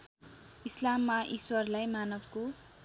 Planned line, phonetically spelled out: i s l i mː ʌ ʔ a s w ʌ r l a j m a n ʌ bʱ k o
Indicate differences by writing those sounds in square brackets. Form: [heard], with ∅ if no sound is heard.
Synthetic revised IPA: i s l [a] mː [a] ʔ [i] s w ʌ r l a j m a n ʌ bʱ k o